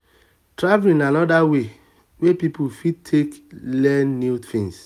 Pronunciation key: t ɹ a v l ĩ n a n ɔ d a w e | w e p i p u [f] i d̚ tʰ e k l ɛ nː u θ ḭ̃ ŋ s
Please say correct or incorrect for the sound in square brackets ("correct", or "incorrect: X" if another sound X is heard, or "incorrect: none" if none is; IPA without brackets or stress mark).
correct